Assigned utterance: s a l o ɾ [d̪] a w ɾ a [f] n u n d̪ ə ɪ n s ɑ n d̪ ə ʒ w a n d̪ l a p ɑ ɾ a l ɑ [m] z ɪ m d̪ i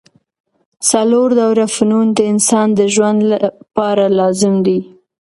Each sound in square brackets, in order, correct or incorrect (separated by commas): correct, correct, incorrect